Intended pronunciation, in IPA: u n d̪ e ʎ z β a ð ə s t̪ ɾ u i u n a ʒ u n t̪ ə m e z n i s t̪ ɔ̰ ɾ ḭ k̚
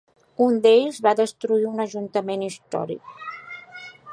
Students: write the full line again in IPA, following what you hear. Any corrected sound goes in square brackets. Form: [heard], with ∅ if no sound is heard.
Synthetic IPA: u n d̪ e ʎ z β a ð ə s t̪ ɾ u i u n [ə] ʒ u n t̪ ə m e [∅] n i s t̪ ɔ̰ ɾ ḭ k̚